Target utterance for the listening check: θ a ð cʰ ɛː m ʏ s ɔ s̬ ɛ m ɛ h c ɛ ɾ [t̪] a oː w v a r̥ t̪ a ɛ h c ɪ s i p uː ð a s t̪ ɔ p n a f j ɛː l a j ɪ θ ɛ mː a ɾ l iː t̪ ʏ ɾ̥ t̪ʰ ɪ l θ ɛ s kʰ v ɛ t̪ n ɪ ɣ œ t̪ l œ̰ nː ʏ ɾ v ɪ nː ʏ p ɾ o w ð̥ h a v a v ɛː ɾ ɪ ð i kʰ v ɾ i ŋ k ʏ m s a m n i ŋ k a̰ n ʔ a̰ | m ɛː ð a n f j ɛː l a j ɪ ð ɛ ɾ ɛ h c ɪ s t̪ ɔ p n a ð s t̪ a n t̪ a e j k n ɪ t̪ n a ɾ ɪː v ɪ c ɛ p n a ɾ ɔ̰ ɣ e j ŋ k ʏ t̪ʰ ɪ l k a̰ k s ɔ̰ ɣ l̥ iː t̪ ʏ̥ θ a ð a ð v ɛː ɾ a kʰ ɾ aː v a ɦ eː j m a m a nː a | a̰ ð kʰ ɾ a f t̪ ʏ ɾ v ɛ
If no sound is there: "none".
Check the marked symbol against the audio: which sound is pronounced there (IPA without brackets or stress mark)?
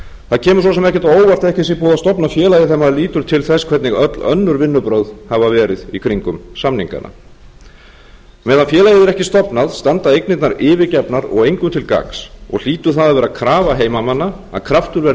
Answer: t̪